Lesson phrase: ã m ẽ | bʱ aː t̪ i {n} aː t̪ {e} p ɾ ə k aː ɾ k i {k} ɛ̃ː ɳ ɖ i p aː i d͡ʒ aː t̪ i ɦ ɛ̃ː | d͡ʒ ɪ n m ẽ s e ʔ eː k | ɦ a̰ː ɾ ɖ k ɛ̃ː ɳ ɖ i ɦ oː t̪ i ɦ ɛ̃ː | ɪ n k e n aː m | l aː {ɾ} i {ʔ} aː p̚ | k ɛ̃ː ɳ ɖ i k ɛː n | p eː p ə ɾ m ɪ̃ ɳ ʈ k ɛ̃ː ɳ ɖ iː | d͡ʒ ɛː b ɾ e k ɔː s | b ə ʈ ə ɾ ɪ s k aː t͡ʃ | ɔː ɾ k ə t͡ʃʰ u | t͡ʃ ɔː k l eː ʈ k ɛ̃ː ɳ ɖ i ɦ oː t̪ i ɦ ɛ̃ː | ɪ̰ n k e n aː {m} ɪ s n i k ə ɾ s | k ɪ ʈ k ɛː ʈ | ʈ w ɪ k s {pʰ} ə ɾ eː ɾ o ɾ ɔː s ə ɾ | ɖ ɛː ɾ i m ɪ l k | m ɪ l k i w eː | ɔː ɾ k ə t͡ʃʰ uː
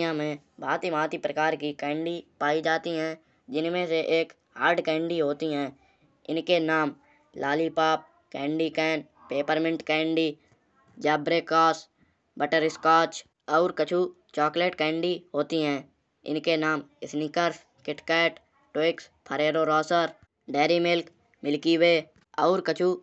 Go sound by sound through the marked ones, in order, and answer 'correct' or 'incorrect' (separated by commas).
incorrect, incorrect, correct, incorrect, incorrect, correct, correct